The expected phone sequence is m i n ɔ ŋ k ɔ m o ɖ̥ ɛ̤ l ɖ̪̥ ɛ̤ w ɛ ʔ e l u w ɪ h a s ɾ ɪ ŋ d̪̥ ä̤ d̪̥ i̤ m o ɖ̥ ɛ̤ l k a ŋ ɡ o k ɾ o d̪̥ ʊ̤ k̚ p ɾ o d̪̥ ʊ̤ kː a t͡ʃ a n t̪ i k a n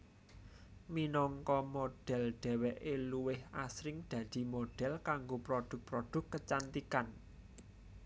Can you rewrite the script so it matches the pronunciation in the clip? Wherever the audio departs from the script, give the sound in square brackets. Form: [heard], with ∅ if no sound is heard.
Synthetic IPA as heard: m i n ɔ ŋ k ɔ m o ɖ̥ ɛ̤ l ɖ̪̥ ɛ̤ w ɛ ʔ e l u w ɪ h a s ɾ ɪ ŋ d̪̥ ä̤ d̪̥ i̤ m o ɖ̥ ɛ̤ l k a ŋ ɡ o [p] ɾ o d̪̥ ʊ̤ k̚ p ɾ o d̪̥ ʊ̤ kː [ə] t͡ʃ a n t̪ i k a n